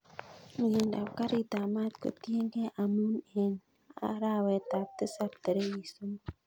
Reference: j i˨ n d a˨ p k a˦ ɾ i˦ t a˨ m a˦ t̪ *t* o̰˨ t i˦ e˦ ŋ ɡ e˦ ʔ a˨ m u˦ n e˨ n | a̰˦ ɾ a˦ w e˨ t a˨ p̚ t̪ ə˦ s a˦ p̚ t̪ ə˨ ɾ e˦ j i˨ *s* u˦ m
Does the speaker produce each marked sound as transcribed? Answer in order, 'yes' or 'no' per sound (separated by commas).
no, yes